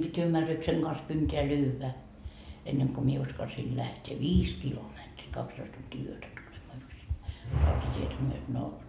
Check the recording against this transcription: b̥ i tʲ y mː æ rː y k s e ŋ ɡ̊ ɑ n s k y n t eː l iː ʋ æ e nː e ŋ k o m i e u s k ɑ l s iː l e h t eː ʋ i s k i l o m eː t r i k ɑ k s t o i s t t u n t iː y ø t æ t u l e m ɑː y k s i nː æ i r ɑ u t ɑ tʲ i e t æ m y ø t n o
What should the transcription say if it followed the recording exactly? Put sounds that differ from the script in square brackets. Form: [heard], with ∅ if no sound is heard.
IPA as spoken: b̥ i tʲ y mː æ rː y k s e ŋ ɡ̊ ɑ n s k y n t eː l [yː] ʋ æ e nː e ŋ k o m i e u s k ɑ l s iː l [æ] h t eː ʋ [iː] s k i l o m [e] t r i k ɑ k s t o i s t t u n t iː y ø t æ t u l e m ɑː y k s i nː æ i r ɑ u t ɑ tʲ i e t æ m y ø t n o